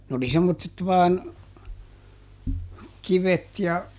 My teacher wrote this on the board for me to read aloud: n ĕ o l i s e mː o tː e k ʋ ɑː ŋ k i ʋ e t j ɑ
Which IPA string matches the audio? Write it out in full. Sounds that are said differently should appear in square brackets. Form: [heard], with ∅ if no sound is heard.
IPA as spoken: n ĕ o l i s e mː o tː e [t] ʋ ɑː [n] k i ʋ e t j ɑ